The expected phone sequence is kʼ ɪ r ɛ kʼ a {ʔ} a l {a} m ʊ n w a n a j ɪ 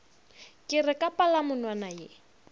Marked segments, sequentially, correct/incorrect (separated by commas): incorrect, correct